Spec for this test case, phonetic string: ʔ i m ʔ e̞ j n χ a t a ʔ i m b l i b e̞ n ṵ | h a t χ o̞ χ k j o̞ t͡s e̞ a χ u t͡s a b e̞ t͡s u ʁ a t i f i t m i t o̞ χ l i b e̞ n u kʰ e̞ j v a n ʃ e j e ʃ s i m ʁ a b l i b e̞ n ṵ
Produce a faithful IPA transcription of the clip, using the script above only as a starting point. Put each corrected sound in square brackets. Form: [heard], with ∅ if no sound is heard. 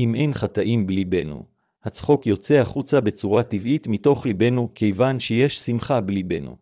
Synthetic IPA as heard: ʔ i m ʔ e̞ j n χ a t a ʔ i m b l i b e̞ n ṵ | h a [t͡s] χ o̞ [∅] k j o̞ t͡s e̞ a χ u t͡s a b e̞ t͡s u ʁ a t i [v] i t m i t o̞ χ l i b e̞ n u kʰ e̞ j v a n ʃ e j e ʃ s i m [χ] a b l i b e̞ n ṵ